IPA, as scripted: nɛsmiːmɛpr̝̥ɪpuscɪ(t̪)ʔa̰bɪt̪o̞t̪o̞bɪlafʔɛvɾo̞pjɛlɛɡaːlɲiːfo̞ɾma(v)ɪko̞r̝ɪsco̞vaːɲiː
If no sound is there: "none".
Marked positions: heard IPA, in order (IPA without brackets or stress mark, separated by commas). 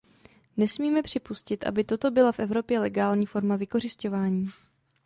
t̪, v